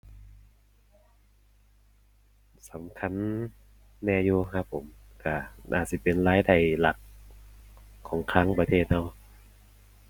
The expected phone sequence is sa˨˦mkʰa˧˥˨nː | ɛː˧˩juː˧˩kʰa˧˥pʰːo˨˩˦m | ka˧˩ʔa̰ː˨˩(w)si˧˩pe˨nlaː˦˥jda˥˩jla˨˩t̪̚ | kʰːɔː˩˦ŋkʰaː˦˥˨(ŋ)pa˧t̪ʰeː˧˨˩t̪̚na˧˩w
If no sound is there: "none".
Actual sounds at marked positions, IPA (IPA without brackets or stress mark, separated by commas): none, ŋ